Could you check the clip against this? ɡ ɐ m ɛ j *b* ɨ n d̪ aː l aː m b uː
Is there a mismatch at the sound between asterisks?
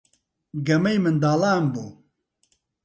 yes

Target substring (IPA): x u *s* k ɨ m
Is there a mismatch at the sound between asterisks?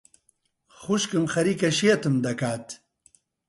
yes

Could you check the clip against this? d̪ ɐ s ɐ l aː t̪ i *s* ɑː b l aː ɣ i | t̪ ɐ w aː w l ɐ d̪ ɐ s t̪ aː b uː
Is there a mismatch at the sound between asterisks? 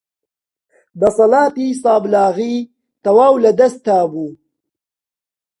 no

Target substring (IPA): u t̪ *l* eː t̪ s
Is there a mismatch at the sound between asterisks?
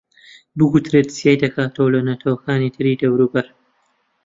yes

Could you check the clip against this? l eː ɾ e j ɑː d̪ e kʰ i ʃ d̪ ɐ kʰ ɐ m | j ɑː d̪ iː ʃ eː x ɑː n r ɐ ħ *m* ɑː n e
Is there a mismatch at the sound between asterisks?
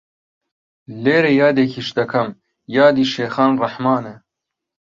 no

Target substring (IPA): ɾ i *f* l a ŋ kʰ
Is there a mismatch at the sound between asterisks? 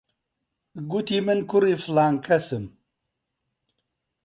no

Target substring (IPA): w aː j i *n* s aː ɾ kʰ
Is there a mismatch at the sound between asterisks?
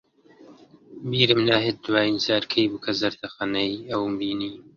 no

